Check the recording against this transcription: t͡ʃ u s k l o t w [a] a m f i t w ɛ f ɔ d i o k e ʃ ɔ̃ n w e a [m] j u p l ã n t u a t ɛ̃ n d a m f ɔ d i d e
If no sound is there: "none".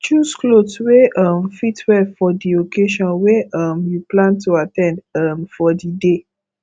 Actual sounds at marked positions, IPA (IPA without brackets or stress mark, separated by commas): e, m